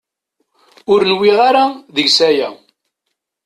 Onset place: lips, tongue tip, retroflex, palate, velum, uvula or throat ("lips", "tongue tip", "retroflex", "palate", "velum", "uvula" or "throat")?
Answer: tongue tip